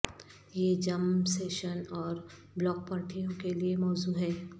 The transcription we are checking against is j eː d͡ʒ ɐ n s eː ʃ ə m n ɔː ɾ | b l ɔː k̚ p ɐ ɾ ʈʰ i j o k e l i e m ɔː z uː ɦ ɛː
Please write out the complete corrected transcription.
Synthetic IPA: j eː d͡ʒ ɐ m s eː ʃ ə n ɔː ɾ | b l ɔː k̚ p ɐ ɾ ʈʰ i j õ k e l i e m ɔː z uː ɦ ɛː